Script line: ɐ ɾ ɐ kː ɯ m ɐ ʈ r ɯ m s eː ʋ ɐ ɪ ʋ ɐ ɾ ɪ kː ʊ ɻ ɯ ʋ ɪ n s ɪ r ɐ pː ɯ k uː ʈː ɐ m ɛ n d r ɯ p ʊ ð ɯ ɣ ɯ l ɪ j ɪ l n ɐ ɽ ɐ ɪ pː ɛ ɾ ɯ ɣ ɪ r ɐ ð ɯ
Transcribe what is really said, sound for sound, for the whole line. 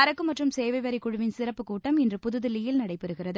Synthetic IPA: ɐ ɾ ɐ kː ɯ m ɐ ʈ r ɯ m s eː ʋ ɐ ɪ ʋ ɐ ɾ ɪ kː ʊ ɻ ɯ ʋ ɪ n s ɪ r ɐ pː ɯ k uː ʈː ɐ m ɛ n d r ɯ p ʊ ð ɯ ð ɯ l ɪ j ɪ l n ɐ ɽ ɐ ɪ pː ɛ ɾ ɯ ɣ ɪ r ɐ ð ɯ